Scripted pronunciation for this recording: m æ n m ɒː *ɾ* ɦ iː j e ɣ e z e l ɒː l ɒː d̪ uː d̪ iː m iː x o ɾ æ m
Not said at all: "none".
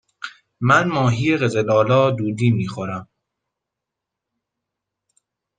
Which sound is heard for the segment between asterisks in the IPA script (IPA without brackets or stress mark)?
none